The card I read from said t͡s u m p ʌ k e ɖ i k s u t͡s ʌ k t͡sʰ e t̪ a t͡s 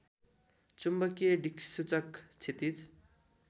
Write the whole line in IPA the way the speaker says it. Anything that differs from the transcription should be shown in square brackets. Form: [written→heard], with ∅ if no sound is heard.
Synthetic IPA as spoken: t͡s u m [p→b] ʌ k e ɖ i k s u t͡s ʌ k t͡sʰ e t̪ [a→i] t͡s